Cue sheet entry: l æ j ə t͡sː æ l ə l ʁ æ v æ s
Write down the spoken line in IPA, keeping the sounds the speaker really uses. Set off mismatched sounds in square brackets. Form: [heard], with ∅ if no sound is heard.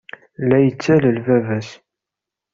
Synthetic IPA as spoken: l æ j ə t͡sː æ l ə l [v] æ v æ s